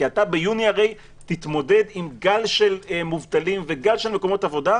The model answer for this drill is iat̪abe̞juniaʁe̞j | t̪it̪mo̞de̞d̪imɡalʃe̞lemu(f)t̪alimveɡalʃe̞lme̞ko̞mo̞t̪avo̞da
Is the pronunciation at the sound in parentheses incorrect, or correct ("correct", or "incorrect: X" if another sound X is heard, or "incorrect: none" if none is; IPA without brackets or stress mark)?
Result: incorrect: v